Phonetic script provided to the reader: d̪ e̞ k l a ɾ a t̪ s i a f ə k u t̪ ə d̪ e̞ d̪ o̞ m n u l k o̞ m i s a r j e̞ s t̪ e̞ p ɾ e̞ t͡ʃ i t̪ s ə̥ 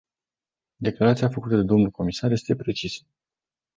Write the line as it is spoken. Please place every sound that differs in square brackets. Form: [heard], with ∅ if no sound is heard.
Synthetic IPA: d̪ e̞ k l a ɾ a t̪ s i a f ə k u t̪ ə d̪ e̞ d̪ o̞ m n u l k o̞ m i s a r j e̞ s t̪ e̞ p ɾ e̞ t͡ʃ i [∅] s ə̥